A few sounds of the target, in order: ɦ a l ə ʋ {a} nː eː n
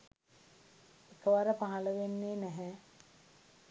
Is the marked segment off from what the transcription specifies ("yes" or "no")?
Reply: yes